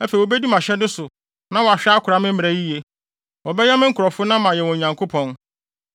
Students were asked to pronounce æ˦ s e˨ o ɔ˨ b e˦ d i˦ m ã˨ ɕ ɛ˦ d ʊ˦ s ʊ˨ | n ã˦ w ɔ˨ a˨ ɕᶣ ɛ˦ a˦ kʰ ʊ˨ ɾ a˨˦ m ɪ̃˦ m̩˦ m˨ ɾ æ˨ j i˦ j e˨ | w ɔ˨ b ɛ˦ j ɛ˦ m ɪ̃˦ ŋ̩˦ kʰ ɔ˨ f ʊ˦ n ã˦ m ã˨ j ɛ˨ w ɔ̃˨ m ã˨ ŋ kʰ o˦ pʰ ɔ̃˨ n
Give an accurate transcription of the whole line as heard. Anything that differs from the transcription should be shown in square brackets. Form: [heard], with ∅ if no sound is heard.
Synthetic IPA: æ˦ [f] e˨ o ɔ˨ b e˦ d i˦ m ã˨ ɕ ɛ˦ d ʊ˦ s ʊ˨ | n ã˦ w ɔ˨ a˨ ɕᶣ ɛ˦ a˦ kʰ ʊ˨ ɾ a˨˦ m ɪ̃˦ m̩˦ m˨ ɾ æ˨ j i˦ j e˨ | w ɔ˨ b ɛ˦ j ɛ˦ m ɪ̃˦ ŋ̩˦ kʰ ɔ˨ f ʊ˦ n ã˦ m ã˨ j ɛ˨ w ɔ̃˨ [ɲ] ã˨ ŋ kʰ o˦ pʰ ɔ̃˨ n